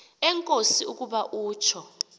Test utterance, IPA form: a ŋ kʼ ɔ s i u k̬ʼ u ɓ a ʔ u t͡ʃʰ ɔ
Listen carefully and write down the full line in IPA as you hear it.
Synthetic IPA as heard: ɛ ŋ kʼ o s i u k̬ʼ u ɓ a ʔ uː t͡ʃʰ ɔ